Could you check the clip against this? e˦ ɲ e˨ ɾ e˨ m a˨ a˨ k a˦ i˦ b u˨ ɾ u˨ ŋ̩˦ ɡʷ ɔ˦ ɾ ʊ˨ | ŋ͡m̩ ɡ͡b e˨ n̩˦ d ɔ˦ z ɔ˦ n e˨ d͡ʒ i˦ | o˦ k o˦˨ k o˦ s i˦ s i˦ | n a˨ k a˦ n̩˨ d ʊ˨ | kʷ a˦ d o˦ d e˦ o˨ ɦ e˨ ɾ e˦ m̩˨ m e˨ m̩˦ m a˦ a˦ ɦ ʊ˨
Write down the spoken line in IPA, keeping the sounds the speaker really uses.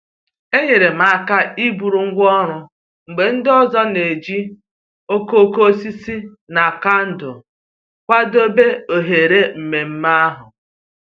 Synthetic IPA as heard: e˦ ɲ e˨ ɾ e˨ m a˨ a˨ k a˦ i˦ b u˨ ɾ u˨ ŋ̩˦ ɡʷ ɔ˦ ɾ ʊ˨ | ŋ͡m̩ ɡ͡b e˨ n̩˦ d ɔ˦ z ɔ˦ n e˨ d͡ʒ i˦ | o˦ k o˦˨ k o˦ s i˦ s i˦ | n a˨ k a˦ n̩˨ d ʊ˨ | kʷ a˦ d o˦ b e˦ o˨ ɦ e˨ ɾ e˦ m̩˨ m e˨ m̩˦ m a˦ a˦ ɦ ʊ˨